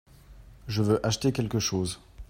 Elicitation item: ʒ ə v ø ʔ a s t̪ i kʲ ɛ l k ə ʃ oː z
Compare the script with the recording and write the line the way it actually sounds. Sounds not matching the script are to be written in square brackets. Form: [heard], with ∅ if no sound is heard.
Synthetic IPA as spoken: ʒ ə v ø ʔ a [ʃ] t̪ [e] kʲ ɛ l k ə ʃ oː z